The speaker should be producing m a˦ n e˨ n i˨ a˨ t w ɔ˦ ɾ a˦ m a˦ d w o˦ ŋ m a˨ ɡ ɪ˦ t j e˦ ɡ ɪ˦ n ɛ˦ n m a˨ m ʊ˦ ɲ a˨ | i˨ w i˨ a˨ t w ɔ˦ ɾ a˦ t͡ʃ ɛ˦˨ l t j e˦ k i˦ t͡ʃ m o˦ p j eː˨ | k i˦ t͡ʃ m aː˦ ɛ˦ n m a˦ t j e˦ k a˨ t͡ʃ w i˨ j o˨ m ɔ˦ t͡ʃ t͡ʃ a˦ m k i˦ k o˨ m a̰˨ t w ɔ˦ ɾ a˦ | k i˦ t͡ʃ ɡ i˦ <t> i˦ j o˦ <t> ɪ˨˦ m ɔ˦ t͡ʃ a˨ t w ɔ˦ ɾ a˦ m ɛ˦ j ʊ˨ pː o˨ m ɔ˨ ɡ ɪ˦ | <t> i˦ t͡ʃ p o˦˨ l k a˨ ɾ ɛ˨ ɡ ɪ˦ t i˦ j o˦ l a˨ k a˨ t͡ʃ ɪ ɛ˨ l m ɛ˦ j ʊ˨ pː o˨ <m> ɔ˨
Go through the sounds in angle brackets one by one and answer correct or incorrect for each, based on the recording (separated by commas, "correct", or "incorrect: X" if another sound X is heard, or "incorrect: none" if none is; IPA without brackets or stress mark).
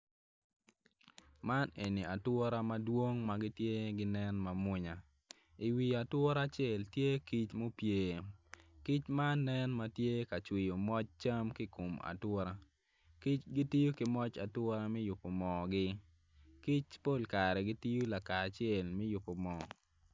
correct, incorrect: k, incorrect: k, correct